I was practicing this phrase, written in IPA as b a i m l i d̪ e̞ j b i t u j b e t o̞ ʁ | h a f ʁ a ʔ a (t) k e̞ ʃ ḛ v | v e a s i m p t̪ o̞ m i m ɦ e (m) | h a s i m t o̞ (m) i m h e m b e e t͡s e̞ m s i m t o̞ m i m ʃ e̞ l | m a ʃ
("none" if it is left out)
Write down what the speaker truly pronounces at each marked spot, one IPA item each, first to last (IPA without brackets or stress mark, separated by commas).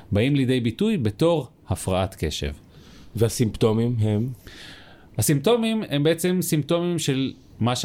t, m, m